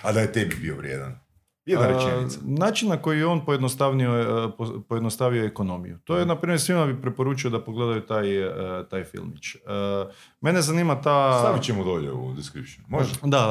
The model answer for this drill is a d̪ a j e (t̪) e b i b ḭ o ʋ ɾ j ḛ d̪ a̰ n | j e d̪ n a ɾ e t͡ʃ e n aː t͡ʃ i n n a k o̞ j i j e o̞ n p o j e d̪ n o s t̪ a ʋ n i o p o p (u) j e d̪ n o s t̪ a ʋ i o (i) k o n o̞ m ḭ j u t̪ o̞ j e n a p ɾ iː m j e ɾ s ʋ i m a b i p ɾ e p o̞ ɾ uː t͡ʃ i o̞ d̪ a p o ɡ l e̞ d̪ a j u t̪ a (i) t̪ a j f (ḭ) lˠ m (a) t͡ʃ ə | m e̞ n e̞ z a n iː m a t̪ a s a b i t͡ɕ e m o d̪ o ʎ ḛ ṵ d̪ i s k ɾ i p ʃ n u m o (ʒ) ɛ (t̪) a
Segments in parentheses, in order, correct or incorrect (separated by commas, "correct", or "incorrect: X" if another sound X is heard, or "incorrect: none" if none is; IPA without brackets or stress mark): correct, incorrect: o, incorrect: e, incorrect: j, correct, incorrect: i, correct, incorrect: d̪